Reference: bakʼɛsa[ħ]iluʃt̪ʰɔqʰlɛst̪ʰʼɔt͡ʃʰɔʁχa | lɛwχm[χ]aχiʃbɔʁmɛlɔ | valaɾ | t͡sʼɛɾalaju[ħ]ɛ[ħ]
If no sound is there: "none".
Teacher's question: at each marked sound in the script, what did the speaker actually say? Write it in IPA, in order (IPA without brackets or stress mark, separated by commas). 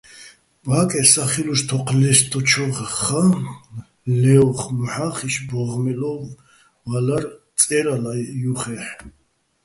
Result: χ, ħ, χ, ħ